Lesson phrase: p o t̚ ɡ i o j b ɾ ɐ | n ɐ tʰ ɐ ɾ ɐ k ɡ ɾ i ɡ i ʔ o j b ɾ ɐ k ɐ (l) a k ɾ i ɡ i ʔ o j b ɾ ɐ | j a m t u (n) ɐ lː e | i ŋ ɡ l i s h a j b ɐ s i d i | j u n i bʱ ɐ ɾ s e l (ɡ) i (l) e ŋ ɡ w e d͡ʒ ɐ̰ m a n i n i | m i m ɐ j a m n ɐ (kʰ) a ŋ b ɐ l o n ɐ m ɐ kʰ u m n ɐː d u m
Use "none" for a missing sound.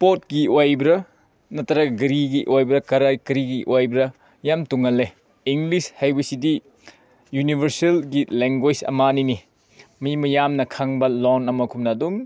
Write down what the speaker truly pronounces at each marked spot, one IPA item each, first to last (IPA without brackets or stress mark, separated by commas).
ɾ, ŋ, ɡ, l, kʰ